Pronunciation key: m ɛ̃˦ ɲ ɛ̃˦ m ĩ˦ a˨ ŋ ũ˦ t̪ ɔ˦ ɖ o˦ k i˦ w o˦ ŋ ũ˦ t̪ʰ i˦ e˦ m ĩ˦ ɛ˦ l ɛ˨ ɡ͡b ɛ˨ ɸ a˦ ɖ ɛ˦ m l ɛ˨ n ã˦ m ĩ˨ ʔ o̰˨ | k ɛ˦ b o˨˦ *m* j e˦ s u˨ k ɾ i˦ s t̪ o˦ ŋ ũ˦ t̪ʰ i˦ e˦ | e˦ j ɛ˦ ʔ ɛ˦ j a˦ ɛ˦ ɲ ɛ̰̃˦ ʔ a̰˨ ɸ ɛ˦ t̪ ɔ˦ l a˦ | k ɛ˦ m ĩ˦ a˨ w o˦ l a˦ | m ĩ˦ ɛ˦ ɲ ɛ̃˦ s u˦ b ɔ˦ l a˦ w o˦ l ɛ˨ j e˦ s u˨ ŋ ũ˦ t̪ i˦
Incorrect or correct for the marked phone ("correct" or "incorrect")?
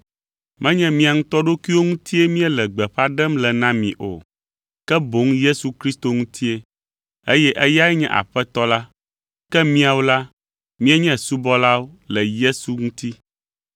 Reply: incorrect